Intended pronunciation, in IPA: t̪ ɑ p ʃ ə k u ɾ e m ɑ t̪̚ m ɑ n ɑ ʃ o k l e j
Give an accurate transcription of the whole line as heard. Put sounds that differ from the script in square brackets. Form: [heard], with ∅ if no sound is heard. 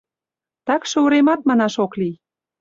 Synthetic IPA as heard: t̪ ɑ [k] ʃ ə [∅] u ɾ e m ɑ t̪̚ m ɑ n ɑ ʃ o k l [i] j